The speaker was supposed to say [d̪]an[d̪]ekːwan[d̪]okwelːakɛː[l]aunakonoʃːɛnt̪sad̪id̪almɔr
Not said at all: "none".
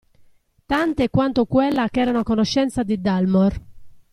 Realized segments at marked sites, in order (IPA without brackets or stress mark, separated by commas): t̪, t̪, t̪, ɾ